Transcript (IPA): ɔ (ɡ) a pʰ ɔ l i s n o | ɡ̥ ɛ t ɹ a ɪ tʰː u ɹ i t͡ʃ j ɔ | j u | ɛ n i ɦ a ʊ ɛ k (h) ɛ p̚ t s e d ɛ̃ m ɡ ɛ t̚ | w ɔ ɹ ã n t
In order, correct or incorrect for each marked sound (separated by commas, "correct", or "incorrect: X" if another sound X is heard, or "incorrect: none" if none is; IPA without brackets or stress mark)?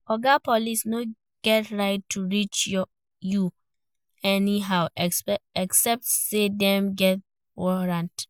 correct, incorrect: s